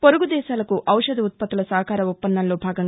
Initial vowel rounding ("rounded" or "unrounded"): rounded